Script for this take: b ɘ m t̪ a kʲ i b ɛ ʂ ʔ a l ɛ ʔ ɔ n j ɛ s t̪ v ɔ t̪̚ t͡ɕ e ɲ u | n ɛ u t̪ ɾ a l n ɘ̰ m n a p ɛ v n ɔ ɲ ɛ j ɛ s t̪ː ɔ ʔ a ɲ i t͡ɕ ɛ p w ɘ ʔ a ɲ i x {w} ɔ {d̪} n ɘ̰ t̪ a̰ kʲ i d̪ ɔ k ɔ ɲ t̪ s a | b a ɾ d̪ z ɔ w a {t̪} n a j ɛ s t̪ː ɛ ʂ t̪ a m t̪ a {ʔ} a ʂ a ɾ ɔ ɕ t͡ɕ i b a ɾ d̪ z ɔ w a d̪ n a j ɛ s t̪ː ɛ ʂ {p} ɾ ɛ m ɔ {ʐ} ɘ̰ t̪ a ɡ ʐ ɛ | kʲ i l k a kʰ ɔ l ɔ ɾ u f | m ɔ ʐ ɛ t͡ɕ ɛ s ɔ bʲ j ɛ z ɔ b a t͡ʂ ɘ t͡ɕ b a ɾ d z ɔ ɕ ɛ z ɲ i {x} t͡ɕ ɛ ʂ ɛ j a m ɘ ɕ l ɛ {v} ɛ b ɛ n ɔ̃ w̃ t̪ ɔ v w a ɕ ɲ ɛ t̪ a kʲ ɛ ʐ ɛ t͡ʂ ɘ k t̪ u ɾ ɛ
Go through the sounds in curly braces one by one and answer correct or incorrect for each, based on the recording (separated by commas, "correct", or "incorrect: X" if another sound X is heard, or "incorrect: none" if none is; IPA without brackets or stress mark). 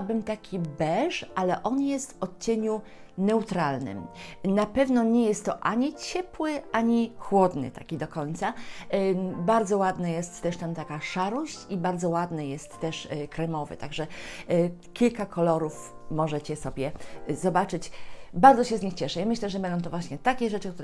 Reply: correct, correct, incorrect: d̪, incorrect: k, incorrect: k, incorrect: v, correct, incorrect: ʐ